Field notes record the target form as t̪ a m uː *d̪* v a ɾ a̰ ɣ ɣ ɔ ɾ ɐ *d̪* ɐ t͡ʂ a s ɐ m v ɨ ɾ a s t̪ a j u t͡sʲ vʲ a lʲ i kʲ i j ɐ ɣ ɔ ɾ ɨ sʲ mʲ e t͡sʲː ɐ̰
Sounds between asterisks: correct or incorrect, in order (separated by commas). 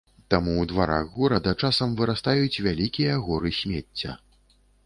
correct, correct